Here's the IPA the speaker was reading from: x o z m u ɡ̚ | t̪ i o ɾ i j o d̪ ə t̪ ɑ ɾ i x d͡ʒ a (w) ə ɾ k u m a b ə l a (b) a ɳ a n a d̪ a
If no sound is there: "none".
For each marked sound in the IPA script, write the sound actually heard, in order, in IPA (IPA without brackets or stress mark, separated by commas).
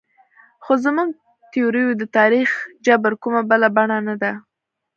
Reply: b, b